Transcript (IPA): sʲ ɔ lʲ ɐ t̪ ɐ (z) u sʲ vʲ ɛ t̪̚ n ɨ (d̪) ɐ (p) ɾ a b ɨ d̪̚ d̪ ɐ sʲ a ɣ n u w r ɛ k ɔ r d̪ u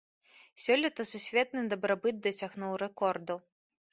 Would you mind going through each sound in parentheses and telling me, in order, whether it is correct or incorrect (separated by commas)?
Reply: incorrect, correct, incorrect